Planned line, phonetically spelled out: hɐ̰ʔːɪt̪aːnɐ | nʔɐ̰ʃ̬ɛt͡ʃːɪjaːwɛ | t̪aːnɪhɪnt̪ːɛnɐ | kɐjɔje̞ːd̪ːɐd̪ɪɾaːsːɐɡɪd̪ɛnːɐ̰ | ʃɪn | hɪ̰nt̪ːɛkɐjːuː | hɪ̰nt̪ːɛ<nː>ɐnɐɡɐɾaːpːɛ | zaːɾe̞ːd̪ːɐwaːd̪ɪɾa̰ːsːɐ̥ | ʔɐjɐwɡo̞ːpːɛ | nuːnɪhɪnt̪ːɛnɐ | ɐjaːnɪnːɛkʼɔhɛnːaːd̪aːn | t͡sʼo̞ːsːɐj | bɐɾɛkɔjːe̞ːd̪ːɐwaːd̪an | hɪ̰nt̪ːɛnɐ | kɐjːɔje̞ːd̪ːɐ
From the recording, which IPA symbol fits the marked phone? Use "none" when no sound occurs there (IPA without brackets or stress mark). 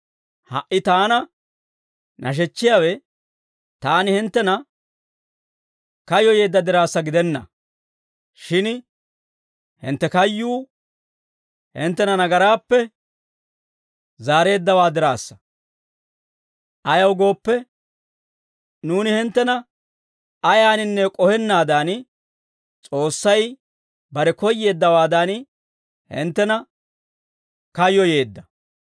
n